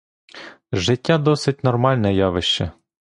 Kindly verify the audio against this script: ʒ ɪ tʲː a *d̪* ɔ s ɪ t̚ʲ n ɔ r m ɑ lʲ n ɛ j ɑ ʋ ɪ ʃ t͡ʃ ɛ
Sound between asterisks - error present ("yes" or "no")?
no